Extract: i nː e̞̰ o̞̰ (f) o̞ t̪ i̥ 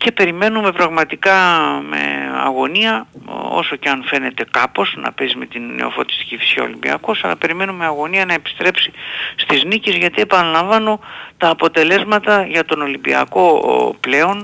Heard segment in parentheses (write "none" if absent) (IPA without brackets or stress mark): f